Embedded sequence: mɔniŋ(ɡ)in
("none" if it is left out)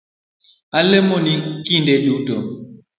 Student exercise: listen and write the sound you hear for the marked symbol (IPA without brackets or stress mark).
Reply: k